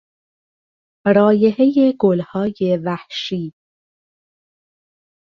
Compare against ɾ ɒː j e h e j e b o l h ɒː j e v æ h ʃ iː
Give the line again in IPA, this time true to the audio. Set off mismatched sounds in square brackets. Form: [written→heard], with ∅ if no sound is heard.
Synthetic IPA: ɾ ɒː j e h e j e [b→ɡ] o l h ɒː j e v æ h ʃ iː